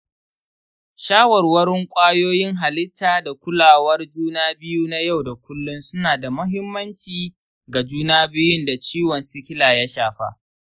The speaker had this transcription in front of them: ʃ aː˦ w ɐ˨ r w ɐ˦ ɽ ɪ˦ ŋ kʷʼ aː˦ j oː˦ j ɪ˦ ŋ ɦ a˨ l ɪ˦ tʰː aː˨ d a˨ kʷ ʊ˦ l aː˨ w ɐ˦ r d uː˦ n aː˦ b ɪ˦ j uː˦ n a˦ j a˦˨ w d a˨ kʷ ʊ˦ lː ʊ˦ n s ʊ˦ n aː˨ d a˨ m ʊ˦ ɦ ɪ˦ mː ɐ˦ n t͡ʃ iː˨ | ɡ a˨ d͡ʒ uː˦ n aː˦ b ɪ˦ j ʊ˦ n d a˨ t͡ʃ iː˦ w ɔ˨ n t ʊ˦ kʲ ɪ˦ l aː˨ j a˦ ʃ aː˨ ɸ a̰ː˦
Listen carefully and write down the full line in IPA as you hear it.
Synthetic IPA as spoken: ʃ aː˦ w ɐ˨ r w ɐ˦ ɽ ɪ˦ ŋ kʷʼ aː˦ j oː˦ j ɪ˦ ŋ ɦ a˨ l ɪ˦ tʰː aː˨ d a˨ kʷ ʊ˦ l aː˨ w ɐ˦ r d͡ʒ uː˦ n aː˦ b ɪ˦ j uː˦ n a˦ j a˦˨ w d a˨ kʷ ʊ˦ lː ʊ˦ n s ʊ˦ n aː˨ d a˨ m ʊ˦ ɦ ɪ˦ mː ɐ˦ n t͡ʃ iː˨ | ɡ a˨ d͡ʒ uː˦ n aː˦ b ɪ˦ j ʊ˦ n d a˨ t͡ʃ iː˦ w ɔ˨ n s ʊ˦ kʲ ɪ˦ l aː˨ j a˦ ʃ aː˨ ɸ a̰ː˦